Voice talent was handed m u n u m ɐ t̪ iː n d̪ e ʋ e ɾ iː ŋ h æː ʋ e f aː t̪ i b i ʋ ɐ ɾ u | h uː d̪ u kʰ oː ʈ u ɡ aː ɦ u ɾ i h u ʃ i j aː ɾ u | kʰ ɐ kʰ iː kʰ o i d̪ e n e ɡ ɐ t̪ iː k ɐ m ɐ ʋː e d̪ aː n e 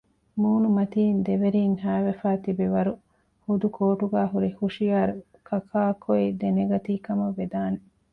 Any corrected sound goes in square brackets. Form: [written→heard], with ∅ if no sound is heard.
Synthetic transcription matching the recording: m [u→uː] n u m ɐ t̪ iː n d̪ e ʋ e ɾ iː ŋ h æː ʋ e f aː t̪ i b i ʋ ɐ ɾ u | h [uː→u] d̪ u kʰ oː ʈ u ɡ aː ɦ u ɾ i h u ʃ i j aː ɾ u | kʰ ɐ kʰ [iː→aː] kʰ o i d̪ e n e ɡ ɐ t̪ iː k ɐ m ɐ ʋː e d̪ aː n e

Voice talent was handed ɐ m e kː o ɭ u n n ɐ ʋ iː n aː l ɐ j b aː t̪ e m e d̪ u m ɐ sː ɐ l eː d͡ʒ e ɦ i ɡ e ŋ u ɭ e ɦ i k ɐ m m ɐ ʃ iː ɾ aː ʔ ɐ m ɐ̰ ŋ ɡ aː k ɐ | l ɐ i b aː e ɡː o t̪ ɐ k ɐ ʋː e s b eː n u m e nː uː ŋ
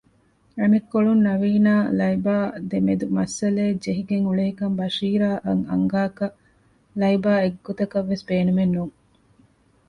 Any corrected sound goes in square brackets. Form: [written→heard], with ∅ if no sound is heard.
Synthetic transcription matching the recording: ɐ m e kː o ɭ u n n ɐ ʋ iː n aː l ɐ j b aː [t̪→d̪] e m e d̪ u m ɐ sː ɐ l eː d͡ʒ e ɦ i ɡ e ŋ u ɭ e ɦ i k ɐ m [m→b] ɐ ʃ iː ɾ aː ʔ ɐ [m→ŋ] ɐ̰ ŋ ɡ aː k ɐ | l ɐ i b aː e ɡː o t̪ ɐ k ɐ ʋː e s b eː n u m e nː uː ŋ

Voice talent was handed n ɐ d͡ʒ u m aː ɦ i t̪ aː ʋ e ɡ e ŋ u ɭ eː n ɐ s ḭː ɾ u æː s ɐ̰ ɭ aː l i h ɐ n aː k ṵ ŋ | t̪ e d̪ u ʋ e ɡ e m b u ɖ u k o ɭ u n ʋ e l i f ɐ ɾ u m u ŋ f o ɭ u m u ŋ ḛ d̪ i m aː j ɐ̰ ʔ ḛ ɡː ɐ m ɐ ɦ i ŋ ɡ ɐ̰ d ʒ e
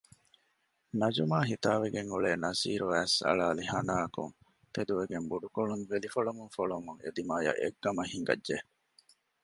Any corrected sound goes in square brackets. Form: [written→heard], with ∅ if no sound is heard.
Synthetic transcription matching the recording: n ɐ d͡ʒ u m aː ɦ i t̪ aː ʋ e ɡ e ŋ u ɭ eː n ɐ s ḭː ɾ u æː s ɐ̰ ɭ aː l i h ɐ n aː k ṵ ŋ | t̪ e d̪ u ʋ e ɡ e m b u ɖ u k o ɭ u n ʋ e l i f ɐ [ɾ→ɭ] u m u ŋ f o ɭ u m u ŋ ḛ d̪ i m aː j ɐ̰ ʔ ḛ ɡː ɐ m ɐ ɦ i ŋ ɡ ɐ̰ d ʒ e

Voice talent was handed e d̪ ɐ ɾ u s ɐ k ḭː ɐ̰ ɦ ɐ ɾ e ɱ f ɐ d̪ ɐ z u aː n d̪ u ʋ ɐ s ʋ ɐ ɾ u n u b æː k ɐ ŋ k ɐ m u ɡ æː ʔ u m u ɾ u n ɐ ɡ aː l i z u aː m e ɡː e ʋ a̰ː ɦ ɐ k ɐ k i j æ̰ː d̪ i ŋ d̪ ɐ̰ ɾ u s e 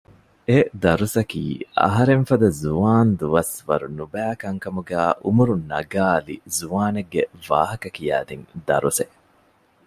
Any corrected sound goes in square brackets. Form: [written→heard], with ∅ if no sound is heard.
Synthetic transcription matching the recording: e d̪ ɐ ɾ u s ɐ k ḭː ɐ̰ ɦ ɐ ɾ e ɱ f ɐ d̪ ɐ z u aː n d̪ u ʋ ɐ s ʋ ɐ ɾ u n u b æː k ɐ ŋ k ɐ m u ɡ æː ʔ u m u ɾ u n ɐ ɡ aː l i z u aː [m→n] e ɡː e ʋ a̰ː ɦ ɐ k ɐ k i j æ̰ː d̪ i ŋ d̪ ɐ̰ ɾ u s e

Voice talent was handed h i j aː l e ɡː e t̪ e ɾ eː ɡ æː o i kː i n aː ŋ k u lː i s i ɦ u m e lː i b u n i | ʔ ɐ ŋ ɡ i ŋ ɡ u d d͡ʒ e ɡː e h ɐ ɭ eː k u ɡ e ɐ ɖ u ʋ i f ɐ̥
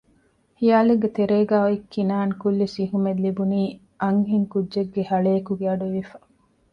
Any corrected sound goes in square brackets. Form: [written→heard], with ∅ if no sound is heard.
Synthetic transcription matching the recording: h i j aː l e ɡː e t̪ e ɾ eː ɡ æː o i kː i n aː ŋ k u lː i s i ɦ u m e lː i b u n [i→iː] | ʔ ɐ ŋ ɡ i ŋ [ɡ→k] u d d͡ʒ e ɡː e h ɐ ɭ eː k u ɡ e ɐ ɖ u ʋ i f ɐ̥

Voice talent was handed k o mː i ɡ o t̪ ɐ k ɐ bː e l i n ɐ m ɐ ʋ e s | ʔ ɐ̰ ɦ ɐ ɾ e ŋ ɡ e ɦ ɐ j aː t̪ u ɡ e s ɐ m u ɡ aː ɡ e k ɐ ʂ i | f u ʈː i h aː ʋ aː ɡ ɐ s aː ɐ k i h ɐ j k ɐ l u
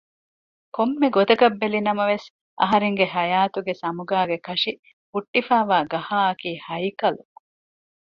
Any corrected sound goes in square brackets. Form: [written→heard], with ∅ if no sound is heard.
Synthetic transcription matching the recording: k o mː [i→e] ɡ o t̪ ɐ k ɐ bː e l i n ɐ m ɐ ʋ e s | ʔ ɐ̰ ɦ ɐ ɾ e ŋ ɡ e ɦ ɐ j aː t̪ u ɡ e s ɐ m u ɡ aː ɡ e k ɐ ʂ i | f u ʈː i [h→f] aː ʋ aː ɡ ɐ [s→h] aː ɐ k [i→iː] h ɐ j k ɐ l u

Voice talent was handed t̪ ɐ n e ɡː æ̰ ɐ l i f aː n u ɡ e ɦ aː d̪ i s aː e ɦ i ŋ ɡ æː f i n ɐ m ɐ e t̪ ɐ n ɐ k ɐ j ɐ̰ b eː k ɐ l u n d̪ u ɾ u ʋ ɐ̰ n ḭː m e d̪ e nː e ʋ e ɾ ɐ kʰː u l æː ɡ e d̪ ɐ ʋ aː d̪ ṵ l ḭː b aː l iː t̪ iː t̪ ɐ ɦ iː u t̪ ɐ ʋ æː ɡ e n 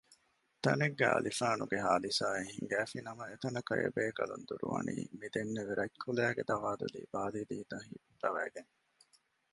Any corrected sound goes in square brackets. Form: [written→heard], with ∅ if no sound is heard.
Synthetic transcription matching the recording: t̪ ɐ n e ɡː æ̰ ɐ l i f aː n u ɡ e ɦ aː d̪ i s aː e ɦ i ŋ ɡ æː f i n ɐ m ɐ e t̪ ɐ n ɐ k ɐ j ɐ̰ b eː k ɐ l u n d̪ u ɾ u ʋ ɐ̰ n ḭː m [e→i] d̪ e nː e ʋ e ɾ ɐ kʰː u l æː ɡ e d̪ ɐ ʋ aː d̪ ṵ l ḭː b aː l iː [t̪→d̪] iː t̪ ɐ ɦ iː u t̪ ɐ ʋ æː ɡ e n

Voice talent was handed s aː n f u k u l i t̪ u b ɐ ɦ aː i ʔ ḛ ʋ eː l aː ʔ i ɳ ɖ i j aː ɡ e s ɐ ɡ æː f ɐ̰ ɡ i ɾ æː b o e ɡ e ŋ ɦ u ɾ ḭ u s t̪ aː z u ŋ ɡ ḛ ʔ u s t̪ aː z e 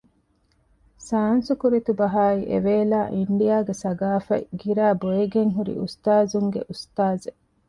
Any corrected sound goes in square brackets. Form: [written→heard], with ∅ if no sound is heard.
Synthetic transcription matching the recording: s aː n [f→s] u k u [l→ɾ] i t̪ u b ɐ ɦ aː i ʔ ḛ ʋ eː l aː ʔ i ɳ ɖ i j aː ɡ e s ɐ ɡ [æː→aː] f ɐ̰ ɡ i ɾ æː b o e ɡ e ŋ ɦ u ɾ ḭ u s t̪ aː z u ŋ ɡ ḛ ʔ u s t̪ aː z e

